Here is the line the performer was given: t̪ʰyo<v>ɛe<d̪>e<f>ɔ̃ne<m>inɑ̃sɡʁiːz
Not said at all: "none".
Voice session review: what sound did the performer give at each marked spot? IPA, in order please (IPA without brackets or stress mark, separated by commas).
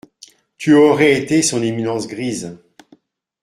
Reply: ʁ, t̪, s, m